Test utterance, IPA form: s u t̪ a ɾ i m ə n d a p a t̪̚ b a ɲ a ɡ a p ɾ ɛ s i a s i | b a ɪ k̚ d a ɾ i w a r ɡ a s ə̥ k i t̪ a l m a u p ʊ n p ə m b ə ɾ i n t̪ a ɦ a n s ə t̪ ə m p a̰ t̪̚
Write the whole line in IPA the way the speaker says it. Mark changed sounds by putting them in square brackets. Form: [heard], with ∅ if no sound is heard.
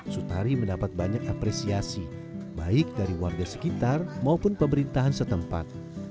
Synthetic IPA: s u t̪ a ɾ i m ə n d a p a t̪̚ b a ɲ a [k] a p ɾ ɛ s i a s i | b a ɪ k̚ d a ɾ i w a r ɡ a s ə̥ k i t̪ a [r] m a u p ʊ n p ə m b ə ɾ i n t̪ a ɦ a n s ə t̪ ə m p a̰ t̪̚